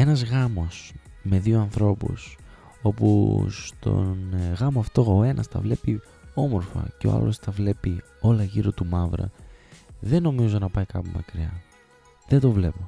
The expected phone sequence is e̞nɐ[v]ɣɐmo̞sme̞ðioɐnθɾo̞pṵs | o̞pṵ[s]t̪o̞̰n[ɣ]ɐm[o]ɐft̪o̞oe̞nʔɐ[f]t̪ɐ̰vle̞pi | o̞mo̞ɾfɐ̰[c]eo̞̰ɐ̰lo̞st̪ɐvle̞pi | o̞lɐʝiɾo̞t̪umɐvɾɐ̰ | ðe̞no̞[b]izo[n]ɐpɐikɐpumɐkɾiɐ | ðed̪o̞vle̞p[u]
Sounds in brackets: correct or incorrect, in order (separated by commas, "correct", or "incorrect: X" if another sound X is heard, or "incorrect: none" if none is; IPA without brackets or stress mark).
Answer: incorrect: z, correct, correct, correct, incorrect: s, correct, incorrect: m, correct, incorrect: o